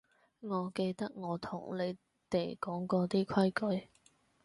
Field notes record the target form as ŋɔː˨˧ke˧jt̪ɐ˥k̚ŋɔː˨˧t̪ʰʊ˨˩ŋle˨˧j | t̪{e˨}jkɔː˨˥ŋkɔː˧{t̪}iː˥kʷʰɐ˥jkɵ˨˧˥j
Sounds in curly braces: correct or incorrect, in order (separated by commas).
correct, correct